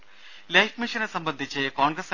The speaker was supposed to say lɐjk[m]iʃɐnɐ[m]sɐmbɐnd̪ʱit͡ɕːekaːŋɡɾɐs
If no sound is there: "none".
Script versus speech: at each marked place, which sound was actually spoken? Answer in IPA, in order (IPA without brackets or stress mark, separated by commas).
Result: m, none